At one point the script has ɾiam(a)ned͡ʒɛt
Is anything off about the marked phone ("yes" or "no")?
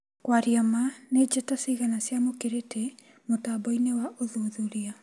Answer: no